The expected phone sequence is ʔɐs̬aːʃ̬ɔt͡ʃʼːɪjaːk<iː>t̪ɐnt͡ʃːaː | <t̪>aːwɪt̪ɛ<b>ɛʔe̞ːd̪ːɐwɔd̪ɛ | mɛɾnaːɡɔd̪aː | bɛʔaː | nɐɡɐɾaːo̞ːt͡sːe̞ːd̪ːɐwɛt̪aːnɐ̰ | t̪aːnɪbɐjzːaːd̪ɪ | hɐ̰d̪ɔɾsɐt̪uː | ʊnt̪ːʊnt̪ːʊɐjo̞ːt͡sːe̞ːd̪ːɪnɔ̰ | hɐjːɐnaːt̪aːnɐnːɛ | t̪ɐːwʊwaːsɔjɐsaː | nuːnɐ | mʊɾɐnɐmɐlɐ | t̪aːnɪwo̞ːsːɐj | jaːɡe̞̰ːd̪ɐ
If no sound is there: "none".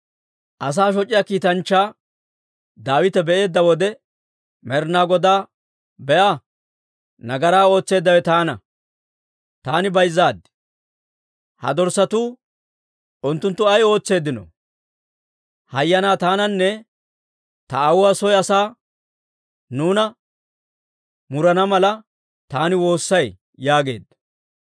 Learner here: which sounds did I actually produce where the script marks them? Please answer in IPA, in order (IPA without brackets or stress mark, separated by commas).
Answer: iː, d̪, b